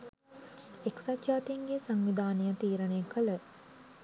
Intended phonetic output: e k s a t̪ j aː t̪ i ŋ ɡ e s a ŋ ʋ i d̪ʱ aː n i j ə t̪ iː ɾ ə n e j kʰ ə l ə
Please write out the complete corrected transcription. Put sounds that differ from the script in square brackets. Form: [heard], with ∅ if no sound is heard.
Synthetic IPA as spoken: e k s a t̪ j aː t̪ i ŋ ɡ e s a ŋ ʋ i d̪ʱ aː n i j ə t̪ iː ɾ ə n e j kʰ ə l ə